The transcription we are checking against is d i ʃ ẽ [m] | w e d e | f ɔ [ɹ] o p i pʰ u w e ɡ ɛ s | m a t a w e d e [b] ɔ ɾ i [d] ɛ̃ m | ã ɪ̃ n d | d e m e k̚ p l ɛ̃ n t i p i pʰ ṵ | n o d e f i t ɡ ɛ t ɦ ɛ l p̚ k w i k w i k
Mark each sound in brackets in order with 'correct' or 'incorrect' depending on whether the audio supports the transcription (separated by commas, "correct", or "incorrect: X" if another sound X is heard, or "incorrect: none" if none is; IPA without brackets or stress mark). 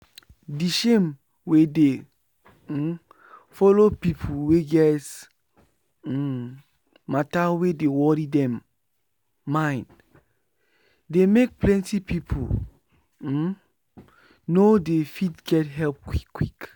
correct, incorrect: l, incorrect: w, correct